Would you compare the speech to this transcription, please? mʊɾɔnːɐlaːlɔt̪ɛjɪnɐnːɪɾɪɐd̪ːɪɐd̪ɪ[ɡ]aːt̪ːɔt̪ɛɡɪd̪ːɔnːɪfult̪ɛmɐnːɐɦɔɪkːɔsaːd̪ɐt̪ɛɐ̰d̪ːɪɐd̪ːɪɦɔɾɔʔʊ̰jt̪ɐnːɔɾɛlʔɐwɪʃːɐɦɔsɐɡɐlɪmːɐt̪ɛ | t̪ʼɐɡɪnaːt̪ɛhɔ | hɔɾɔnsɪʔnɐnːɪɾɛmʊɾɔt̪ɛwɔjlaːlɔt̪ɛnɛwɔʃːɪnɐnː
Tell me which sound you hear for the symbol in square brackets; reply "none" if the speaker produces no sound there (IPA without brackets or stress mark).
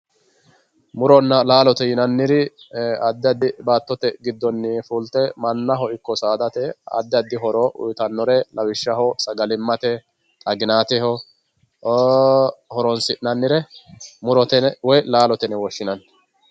b